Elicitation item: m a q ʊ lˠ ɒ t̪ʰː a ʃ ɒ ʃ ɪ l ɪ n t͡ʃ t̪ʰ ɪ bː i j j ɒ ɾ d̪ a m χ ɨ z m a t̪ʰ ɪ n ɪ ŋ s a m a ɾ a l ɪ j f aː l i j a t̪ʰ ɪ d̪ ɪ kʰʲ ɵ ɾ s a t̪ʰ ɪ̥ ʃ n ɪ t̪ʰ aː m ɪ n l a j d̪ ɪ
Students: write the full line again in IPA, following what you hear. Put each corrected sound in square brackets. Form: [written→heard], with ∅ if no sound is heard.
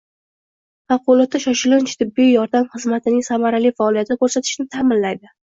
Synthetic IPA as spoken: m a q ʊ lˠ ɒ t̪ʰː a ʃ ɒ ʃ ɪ l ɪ n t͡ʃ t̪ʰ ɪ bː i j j ɒ ɾ d̪ a m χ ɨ z m a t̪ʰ ɪ n ɪ ŋ s a m a ɾ a l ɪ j f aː l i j a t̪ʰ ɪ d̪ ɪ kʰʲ ɵ ɾ s a t̪ʰ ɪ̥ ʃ n ɪ t̪ʰ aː m ɪ n l a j d̪ ɪ